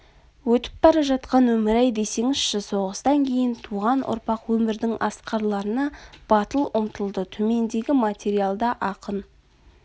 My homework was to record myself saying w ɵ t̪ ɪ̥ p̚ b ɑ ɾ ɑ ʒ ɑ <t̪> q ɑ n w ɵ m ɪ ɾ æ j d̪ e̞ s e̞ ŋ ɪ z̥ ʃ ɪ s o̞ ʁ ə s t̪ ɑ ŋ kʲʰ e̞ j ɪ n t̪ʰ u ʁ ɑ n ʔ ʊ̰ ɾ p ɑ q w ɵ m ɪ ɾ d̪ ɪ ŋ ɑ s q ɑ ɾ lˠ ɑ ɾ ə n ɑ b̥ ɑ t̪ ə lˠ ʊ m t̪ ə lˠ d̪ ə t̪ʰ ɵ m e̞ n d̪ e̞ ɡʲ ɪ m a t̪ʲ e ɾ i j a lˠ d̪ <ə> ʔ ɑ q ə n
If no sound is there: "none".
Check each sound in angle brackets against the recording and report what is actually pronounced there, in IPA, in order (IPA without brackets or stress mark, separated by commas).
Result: t̪, ɑ